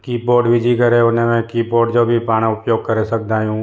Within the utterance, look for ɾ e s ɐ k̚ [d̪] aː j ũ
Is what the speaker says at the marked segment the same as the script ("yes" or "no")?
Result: yes